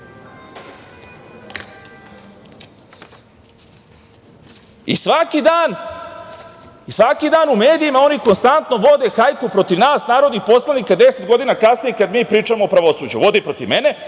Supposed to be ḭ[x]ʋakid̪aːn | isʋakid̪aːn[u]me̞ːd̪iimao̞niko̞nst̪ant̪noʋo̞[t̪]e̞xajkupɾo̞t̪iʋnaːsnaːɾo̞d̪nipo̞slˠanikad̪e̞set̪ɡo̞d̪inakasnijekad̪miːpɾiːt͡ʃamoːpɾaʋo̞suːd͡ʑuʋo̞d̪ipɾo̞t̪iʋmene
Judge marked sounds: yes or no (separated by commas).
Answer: no, yes, no